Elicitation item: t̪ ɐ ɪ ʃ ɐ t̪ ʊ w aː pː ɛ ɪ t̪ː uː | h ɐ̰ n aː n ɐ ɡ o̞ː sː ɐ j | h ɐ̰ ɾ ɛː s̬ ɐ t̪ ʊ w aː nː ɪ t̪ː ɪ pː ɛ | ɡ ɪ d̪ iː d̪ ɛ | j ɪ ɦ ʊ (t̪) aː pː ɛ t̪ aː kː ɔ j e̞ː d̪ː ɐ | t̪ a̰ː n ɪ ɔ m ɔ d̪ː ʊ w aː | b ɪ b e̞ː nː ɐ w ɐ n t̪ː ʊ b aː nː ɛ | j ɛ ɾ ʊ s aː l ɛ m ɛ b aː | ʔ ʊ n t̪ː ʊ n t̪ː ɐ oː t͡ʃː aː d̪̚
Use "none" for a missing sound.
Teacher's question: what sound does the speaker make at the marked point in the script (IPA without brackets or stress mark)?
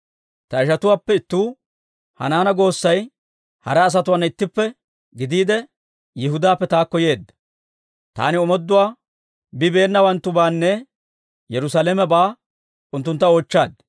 d̪